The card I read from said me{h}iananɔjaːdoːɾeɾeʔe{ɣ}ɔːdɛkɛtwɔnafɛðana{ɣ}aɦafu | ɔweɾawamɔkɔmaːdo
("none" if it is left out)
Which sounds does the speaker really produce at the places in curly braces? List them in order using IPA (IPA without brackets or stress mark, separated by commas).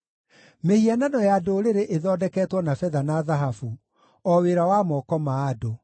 h, ð, ð